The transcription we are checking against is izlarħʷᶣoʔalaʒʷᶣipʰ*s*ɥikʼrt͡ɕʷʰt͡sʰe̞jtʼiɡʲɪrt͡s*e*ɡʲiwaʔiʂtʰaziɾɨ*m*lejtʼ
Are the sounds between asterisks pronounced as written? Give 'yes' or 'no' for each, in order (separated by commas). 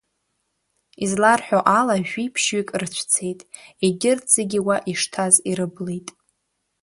no, yes, no